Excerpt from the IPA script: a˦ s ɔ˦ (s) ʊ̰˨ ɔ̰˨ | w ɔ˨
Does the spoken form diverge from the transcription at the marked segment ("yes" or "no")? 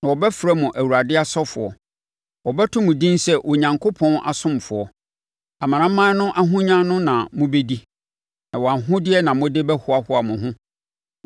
yes